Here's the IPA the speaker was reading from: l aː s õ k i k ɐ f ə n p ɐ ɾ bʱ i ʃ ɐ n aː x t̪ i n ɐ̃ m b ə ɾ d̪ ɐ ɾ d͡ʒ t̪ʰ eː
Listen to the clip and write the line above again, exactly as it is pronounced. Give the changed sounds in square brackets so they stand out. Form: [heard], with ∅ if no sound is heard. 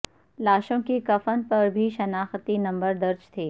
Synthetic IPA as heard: l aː [ʃ] õ k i k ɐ f ə n p ɐ ɾ bʱ i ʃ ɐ n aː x t̪ i n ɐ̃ m b ə ɾ d̪ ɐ ɾ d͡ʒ t̪ʰ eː